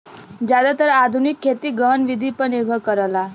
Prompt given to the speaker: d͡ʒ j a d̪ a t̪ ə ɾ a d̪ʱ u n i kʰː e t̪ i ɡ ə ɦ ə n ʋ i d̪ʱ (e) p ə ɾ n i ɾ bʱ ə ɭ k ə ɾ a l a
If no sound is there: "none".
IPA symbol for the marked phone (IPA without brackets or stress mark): i